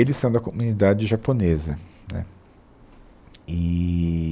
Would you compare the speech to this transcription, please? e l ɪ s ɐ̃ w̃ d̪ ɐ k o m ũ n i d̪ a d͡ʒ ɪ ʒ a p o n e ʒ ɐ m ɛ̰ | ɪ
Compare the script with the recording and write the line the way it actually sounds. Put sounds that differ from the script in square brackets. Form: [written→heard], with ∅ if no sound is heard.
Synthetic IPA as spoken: e l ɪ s ɐ̃ w̃ d̪ ɐ k o m [ũ→u] n i d̪ a d͡ʒ ɪ ʒ a p o n e [ʒ→z] ɐ [m→n] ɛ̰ | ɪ